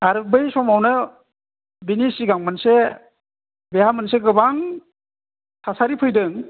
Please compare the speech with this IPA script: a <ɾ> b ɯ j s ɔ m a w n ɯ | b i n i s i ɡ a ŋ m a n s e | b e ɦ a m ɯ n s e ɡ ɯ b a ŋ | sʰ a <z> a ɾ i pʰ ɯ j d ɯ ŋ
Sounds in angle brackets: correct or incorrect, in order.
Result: correct, incorrect: s

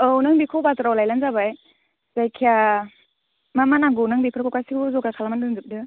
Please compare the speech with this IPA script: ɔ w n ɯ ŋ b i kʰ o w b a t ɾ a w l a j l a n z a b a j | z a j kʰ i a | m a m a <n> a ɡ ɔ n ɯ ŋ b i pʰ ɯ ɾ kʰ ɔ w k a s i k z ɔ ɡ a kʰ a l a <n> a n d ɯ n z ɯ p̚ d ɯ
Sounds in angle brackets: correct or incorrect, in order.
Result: correct, incorrect: m

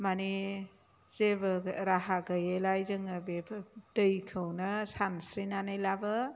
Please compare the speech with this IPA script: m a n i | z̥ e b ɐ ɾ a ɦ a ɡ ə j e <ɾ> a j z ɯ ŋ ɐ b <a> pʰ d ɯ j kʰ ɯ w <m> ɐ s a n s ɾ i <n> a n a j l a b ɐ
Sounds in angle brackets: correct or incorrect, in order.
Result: incorrect: l, incorrect: e, incorrect: n, correct

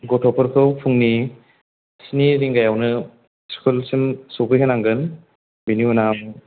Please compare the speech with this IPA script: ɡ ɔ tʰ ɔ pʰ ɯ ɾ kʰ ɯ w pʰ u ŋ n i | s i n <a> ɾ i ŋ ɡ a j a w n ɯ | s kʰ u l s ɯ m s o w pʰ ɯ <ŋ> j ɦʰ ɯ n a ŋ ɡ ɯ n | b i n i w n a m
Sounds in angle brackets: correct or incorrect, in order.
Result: incorrect: i, incorrect: none

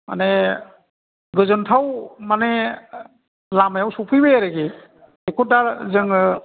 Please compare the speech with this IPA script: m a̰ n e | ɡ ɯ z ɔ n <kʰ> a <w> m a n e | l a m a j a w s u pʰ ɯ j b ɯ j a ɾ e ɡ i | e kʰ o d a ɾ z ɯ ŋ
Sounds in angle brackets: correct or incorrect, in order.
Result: incorrect: tʰ, correct

